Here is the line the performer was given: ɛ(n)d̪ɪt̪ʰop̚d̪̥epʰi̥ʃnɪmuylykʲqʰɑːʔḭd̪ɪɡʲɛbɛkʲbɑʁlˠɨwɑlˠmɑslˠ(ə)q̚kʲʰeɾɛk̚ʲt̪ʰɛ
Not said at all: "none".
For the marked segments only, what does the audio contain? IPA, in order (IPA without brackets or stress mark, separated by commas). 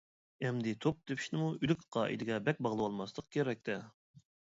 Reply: m, ə